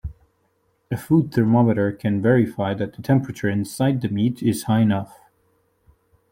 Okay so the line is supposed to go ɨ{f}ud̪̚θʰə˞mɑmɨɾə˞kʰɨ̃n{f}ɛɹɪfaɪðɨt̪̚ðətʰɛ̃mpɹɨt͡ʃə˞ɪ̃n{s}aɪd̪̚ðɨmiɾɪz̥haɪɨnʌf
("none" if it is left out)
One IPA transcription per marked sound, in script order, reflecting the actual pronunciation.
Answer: f, v, s

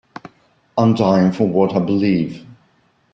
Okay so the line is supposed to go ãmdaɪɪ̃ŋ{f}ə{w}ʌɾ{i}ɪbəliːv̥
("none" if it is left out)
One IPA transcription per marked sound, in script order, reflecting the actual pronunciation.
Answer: f, w, a

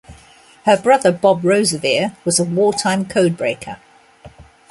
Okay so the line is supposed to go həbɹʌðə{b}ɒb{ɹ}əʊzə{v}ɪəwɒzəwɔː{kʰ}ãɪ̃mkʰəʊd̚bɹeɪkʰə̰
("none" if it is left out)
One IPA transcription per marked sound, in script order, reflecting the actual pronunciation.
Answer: b, ɹ, v, tʰ

